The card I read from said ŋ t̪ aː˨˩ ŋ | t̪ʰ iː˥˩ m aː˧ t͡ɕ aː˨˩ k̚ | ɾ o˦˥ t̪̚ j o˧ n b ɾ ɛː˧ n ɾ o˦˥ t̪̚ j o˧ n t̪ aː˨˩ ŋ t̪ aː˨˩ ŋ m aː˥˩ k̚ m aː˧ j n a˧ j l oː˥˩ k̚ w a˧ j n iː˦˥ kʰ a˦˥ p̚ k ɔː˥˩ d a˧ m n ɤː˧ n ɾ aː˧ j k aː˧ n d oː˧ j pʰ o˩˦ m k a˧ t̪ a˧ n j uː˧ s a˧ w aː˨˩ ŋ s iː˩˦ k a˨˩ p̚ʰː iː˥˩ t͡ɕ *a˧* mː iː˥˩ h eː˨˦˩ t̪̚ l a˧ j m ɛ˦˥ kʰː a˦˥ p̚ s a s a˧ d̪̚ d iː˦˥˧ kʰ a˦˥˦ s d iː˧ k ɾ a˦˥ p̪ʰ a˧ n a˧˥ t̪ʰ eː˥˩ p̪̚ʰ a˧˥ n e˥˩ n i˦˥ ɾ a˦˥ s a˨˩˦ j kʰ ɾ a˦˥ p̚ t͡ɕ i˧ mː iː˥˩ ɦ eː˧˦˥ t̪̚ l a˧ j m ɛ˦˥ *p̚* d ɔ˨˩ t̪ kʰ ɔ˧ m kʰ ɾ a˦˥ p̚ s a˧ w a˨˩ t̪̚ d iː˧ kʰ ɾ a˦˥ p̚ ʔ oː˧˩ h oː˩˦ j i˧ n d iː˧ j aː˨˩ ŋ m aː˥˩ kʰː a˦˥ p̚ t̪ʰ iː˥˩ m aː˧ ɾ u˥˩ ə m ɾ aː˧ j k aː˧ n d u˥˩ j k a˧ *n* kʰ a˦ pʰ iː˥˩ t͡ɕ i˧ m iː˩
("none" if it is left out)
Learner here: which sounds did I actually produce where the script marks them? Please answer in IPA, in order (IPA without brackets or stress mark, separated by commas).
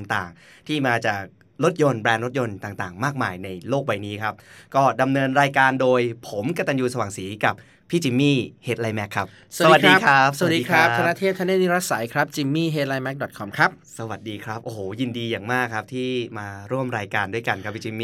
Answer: i˧, k̚, n